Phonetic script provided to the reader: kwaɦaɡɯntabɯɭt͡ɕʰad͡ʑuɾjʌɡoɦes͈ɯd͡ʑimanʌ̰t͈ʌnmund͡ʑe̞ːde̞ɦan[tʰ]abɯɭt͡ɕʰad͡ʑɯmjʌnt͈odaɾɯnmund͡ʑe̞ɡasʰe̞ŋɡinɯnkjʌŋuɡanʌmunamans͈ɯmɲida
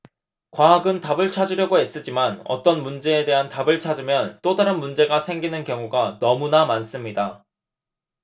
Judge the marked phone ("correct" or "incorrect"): incorrect